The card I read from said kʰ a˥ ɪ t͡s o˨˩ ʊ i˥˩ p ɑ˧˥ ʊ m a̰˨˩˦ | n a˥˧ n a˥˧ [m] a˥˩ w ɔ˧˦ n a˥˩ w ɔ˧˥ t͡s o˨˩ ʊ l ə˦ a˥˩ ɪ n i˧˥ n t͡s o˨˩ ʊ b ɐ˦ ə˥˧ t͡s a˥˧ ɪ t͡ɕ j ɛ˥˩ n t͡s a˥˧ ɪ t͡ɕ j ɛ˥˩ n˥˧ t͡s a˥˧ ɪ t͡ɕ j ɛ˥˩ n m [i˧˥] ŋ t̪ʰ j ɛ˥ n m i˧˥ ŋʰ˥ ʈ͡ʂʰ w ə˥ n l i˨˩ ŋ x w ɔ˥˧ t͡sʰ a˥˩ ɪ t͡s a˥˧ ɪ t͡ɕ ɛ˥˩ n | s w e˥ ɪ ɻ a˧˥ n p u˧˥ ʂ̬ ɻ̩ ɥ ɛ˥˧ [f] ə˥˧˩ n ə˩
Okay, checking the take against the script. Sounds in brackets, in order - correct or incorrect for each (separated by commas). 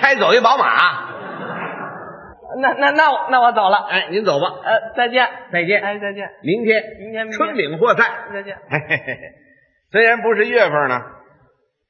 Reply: incorrect, correct, correct